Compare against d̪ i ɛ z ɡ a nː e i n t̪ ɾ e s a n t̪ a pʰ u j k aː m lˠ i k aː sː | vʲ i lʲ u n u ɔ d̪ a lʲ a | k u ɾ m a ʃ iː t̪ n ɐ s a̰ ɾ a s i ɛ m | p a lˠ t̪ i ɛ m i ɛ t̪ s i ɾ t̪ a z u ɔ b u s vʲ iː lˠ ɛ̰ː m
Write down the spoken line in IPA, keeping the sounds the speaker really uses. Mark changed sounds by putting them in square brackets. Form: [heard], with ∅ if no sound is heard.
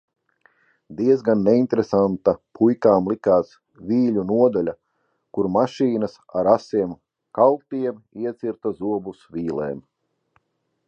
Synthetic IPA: d̪ i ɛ z ɡ a nː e i n t̪ ɾ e s a n t̪ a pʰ u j k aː m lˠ i k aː [s] | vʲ [iː] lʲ u n u ɔ d̪ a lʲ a | k u ɾ m a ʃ iː [∅] n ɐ s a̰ ɾ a s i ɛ m | [k] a lˠ t̪ i ɛ m i ɛ t̪ s i ɾ t̪ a z u ɔ b u s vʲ iː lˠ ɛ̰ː m